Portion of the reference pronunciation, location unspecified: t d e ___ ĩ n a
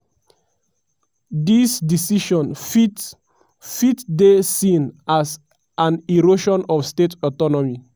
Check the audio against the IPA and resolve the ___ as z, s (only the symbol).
s